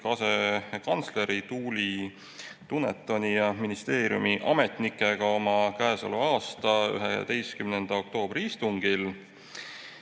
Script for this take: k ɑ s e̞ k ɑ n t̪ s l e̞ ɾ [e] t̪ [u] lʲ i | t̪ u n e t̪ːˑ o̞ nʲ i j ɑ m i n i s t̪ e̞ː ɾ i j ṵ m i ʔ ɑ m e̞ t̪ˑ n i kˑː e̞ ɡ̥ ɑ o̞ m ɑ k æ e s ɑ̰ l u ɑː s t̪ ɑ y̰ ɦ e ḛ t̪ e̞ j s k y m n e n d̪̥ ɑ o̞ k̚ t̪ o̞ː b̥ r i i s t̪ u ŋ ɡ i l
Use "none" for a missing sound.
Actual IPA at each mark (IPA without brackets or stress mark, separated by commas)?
i, uː